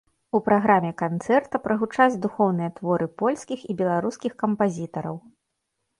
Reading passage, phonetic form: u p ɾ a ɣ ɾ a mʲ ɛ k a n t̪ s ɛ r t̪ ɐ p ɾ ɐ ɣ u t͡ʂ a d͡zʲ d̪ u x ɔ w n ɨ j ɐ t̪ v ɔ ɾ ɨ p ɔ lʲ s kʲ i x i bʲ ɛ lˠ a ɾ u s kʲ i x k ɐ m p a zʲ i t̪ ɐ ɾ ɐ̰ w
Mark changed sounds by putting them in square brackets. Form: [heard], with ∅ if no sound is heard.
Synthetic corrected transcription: u p ɾ a ɣ ɾ a mʲ ɛ k a n t̪ s ɛ r t̪ ɐ p ɾ ɐ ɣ u t͡ʂ a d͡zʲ d̪ u x ɔ w n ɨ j ɐ t̪ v ɔ ɾ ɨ p ɔ lʲ s kʲ i x i bʲ ɛ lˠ a ɾ u s kʲ i x k ɐ m p a zʲ i t̪ ɐ ɾ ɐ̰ w